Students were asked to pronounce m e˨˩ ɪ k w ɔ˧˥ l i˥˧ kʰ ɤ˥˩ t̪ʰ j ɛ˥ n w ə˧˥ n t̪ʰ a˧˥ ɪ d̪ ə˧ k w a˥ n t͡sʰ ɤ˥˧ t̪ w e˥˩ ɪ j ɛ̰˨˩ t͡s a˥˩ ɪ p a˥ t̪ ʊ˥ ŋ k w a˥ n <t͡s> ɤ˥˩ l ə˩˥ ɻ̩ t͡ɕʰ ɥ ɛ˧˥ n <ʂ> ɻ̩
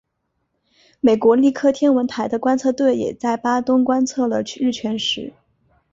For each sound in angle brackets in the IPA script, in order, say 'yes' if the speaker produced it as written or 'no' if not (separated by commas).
no, yes